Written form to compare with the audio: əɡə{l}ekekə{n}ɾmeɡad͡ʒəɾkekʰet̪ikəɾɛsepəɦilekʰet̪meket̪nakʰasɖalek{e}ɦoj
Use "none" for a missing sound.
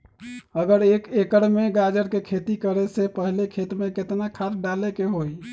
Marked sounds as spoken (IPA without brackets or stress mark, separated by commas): ɾ, none, e